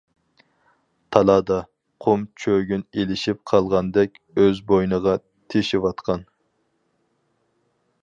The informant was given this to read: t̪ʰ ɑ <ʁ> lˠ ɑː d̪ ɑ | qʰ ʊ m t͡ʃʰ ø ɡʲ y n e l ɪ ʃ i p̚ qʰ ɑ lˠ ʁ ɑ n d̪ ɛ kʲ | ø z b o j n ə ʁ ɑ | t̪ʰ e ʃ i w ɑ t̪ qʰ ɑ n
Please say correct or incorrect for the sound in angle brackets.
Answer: incorrect